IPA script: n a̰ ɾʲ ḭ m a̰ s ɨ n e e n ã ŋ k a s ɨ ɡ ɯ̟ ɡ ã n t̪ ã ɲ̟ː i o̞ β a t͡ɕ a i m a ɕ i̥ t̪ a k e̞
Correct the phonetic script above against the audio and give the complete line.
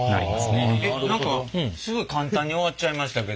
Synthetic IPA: n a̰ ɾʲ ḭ m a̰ s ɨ n e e n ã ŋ k a s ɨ ɡ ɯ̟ k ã n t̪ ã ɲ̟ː i o̞ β a t͡ɕ a i m a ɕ i̥ t̪ a k e̞

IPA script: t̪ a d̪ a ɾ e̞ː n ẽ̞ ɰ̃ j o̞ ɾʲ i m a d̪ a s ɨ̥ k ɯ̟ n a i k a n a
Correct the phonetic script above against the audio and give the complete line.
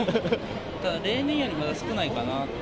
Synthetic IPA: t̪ a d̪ a ɾ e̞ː n ẽ̞ ɰ̃ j o̞ ɾʲ i m a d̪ a s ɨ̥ k ɯ̟ n a i k a n a

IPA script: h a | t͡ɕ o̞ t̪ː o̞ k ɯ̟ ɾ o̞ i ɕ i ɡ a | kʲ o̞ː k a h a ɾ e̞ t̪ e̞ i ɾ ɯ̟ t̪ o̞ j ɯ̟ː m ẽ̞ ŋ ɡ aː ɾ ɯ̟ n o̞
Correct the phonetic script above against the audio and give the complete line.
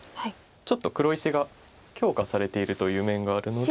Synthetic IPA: h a | t͡ɕ o̞ t̪ː o̞ k ɯ̟ ɾ o̞ i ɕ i ɡ a | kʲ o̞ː k a s a ɾ e̞ t̪ e̞ i ɾ ɯ̟ t̪ o̞ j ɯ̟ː m ẽ̞ ŋ ɡ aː ɾ ɯ̟ n o̞

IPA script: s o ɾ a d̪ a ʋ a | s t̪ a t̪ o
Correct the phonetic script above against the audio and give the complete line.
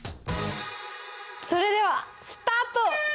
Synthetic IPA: s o ɾ e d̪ e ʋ a | s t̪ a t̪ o

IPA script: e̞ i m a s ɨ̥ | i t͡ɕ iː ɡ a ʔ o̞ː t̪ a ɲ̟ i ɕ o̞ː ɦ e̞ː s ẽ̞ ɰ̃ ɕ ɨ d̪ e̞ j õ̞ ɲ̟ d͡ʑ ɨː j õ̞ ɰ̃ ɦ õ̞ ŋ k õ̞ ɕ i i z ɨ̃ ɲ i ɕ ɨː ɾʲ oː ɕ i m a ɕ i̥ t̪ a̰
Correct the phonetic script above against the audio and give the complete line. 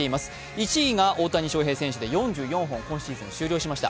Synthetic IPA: e̞ i m a s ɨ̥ | i t͡ɕ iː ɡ a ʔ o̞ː t̪ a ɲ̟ i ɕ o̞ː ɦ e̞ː s ẽ̞ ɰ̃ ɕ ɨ d̪ e̞ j õ̞ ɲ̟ d͡ʑ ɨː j õ̞ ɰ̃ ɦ õ̞ ŋ k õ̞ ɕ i i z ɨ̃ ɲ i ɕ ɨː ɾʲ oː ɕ i m a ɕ i̥ t̪ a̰

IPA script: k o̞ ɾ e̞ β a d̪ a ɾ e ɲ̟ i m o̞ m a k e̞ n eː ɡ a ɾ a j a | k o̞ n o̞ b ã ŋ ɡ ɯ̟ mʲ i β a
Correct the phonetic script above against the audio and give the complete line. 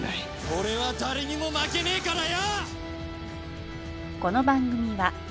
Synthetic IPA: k o̞ ɾ e̞ β a d̪ a ɾ e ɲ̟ i m o̞ m a k e̞ n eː k a ɾ a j a | k o̞ n o̞ b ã ŋ ɡ ɯ̟ mʲ i β a

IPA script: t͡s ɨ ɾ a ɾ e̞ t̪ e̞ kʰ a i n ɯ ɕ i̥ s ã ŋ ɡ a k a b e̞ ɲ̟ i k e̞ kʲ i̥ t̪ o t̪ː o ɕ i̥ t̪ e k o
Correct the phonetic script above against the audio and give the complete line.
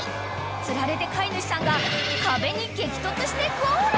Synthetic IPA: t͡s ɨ ɾ a ɾ e̞ t̪ e̞ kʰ a i n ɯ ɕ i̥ s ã ŋ ɡ a k a b e̞ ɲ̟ i k e̞ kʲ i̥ t̪ o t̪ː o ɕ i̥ t̪ e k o

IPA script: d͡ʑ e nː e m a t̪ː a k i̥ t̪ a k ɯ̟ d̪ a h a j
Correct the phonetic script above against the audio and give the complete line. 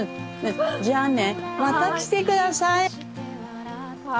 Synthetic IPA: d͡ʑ a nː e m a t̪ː a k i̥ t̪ e k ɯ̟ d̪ a s a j

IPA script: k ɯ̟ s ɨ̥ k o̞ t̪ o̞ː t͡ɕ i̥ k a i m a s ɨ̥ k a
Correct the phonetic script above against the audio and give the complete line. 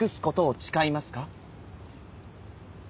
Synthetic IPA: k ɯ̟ s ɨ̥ k o̞ t̪ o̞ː t͡ɕ i̥ k a i m a s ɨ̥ k a

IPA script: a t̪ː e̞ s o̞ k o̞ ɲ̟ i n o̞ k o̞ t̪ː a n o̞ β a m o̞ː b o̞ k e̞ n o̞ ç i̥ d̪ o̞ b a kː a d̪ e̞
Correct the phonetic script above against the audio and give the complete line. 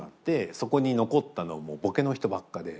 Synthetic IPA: a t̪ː e̞ s o̞ k o̞ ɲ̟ i n o̞ k o̞ t̪ː a n o̞ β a m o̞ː b o̞ k e̞ n o̞ ç i̥ t̪ o̞ b a kː a d̪ e̞

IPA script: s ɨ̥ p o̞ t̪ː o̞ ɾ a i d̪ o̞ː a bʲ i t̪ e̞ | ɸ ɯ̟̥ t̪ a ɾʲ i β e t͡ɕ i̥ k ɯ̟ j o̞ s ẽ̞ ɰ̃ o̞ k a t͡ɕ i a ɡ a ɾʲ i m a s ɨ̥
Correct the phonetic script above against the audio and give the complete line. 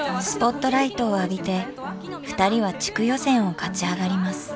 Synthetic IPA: s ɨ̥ p o̞ t̪ː o̞ ɾ a i t̪ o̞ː a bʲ i t̪ e̞ | ɸ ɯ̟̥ t̪ a ɾʲ i β a t͡ɕ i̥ k ɯ̟ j o̞ s ẽ̞ ɰ̃ o̞ k a t͡ɕ i a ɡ a ɾʲ i m a s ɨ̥

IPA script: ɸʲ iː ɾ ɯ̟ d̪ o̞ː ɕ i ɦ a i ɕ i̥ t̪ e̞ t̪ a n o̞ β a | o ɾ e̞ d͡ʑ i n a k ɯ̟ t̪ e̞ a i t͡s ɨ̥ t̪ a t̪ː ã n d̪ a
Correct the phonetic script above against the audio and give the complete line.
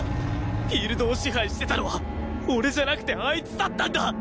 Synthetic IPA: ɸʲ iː ɾ ɯ̟ d̪ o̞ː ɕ i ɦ a i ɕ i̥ t̪ e̞ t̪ a n o̞ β a | o ɾ e̞ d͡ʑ a n a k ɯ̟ t̪ e̞ a i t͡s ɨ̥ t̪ a t̪ː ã n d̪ a

